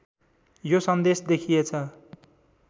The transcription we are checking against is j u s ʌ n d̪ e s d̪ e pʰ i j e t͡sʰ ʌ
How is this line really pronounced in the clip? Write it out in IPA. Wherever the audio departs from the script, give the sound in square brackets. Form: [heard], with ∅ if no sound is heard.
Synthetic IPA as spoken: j [o] s ʌ n d̪ e s d̪ e [kʰ] i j e t͡sʰ ʌ